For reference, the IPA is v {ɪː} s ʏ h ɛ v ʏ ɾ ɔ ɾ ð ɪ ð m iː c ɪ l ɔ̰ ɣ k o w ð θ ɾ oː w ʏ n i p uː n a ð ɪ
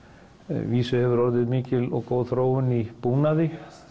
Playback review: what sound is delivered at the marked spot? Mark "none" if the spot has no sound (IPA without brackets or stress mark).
iː